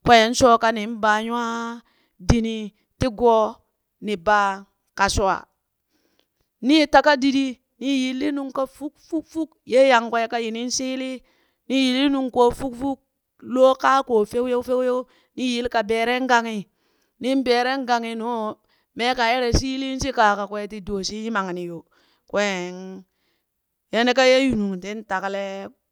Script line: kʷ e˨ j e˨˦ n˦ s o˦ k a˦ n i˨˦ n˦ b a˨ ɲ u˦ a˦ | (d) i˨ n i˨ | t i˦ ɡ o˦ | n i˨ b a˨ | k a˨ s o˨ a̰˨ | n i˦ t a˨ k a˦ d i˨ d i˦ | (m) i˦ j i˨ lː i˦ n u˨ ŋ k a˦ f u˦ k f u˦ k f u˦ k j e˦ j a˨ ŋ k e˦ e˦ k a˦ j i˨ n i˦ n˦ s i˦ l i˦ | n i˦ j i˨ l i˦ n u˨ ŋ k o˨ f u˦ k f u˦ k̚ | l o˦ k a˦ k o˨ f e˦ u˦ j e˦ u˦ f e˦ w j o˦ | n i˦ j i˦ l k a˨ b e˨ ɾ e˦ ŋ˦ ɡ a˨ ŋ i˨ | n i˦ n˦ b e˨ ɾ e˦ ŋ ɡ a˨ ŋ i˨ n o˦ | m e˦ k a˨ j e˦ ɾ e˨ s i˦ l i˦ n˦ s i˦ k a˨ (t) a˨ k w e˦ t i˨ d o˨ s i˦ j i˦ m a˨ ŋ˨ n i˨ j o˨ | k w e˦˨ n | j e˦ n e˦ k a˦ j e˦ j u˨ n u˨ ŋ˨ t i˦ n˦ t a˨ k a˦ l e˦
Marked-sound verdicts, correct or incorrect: correct, incorrect: n, incorrect: k

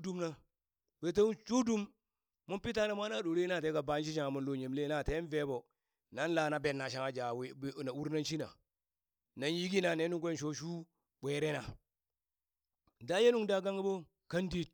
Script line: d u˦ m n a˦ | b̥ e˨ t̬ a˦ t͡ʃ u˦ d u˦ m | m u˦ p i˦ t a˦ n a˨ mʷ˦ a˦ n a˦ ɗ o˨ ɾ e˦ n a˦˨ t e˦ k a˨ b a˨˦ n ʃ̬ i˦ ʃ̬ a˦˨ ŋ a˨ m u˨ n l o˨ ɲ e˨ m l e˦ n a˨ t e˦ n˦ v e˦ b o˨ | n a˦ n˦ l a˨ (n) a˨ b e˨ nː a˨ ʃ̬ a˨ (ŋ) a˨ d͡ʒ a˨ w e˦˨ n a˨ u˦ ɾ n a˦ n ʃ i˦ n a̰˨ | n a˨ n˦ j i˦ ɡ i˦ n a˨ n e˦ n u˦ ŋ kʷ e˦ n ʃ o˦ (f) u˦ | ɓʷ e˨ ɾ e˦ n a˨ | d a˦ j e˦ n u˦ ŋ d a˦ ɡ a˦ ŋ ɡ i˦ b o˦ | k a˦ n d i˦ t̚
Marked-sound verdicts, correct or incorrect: correct, correct, incorrect: ʃ

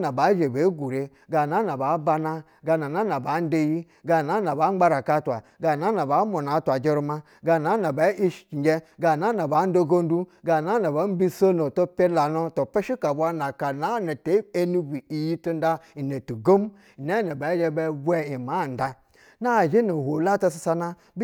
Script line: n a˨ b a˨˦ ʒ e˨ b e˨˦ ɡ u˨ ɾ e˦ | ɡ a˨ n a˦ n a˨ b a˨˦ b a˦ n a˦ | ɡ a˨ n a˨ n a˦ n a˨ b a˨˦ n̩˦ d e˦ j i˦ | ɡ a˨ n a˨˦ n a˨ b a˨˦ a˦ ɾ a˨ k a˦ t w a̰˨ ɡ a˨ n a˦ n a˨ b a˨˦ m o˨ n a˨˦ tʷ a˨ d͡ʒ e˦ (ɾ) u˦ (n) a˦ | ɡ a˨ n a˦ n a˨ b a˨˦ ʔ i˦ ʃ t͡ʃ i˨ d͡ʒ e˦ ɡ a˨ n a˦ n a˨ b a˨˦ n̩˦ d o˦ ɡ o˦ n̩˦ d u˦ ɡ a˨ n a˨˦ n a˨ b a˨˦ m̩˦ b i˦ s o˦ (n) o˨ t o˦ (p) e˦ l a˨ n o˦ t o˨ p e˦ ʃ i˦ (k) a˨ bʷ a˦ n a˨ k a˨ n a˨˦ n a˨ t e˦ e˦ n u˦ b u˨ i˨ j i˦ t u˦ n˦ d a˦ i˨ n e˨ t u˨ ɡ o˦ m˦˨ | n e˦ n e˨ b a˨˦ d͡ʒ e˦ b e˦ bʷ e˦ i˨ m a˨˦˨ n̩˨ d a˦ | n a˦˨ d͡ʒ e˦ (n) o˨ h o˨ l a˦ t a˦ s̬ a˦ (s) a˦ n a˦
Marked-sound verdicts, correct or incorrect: correct, incorrect: m, correct, correct, correct, correct, correct

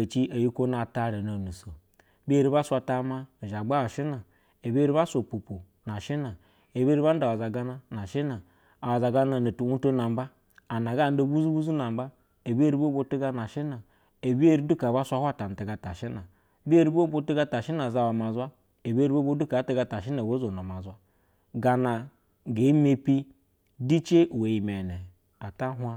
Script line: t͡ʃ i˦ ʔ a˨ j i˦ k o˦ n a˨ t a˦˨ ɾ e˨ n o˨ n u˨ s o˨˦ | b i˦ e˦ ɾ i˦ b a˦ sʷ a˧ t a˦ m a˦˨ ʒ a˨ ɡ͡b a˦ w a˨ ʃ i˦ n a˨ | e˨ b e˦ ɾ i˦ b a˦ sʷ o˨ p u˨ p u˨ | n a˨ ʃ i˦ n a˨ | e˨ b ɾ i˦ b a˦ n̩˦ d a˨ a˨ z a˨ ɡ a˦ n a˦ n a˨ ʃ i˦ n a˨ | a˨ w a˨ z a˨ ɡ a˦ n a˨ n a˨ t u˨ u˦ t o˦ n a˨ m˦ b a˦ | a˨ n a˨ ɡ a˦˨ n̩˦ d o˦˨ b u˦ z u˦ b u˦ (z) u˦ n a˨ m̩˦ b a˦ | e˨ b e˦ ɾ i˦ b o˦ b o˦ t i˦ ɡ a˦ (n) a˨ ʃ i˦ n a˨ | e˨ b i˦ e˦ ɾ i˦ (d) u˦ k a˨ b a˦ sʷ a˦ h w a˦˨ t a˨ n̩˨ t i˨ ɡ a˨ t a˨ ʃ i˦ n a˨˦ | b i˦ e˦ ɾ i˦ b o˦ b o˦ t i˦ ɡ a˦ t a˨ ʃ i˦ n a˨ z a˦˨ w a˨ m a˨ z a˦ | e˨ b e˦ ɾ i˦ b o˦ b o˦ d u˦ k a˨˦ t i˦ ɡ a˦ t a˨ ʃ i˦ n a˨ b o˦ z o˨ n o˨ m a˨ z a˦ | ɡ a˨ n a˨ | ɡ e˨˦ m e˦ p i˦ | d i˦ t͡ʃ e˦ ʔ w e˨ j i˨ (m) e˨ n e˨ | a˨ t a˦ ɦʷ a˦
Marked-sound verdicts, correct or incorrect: correct, correct, correct, correct

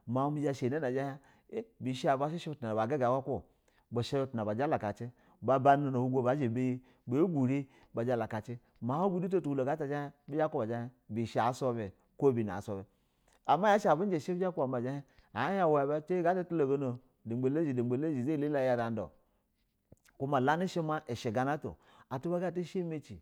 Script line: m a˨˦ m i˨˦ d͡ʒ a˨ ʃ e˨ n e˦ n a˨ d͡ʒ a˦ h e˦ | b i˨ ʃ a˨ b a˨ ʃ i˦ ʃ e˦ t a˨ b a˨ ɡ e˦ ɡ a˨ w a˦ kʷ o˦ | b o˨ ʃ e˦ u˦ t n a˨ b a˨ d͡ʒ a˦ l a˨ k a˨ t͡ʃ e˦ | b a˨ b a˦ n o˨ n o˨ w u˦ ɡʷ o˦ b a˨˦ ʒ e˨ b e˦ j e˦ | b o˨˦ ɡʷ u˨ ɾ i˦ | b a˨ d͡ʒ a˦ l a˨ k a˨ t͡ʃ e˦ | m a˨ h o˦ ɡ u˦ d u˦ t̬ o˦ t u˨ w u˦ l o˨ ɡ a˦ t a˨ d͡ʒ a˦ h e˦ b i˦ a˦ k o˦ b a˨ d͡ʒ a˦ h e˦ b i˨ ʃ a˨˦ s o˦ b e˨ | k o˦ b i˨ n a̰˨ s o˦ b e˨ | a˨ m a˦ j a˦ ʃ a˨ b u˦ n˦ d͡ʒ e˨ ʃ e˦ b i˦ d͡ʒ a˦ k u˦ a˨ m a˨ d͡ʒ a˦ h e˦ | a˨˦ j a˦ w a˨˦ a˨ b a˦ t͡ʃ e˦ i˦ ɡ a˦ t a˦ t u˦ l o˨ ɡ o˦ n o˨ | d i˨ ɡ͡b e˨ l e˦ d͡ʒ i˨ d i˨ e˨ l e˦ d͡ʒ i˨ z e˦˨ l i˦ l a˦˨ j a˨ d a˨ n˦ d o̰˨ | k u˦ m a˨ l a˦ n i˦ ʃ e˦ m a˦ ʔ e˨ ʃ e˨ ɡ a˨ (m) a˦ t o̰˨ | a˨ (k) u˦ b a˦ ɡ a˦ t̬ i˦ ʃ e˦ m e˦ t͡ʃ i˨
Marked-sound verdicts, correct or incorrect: incorrect: n, incorrect: t

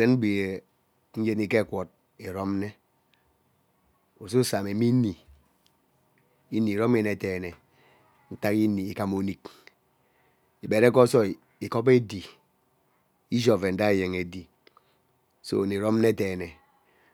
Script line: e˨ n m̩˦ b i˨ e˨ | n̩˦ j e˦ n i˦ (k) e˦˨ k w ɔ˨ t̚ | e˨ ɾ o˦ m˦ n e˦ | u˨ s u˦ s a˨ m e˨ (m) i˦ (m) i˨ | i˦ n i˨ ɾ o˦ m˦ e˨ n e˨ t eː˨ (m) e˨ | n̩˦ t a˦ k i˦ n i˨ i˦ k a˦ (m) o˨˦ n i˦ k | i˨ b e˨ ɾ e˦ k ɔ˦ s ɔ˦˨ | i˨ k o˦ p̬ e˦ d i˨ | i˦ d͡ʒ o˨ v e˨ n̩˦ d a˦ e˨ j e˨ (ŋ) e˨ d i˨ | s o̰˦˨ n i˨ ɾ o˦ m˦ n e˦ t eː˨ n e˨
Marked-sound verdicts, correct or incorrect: correct, correct, incorrect: n, incorrect: n, correct, correct

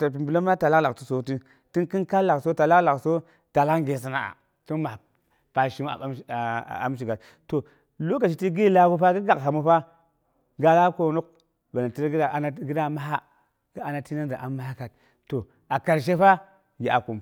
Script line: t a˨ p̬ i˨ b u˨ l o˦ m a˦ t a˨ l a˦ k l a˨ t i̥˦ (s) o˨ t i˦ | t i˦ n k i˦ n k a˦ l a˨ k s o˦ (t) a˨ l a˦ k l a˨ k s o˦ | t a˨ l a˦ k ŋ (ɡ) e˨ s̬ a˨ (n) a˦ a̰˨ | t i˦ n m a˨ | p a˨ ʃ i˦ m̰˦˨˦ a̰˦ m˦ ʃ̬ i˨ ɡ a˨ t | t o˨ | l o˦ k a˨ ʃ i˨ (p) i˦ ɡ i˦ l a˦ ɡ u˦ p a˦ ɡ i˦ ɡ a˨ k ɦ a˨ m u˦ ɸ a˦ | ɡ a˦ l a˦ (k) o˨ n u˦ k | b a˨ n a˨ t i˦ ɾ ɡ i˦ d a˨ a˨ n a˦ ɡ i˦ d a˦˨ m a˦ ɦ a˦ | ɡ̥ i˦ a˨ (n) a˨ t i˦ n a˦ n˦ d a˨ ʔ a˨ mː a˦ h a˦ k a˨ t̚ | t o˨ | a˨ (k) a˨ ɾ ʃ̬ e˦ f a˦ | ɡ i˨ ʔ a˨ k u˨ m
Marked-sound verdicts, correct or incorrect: correct, correct, correct, correct, incorrect: t, correct, correct, correct

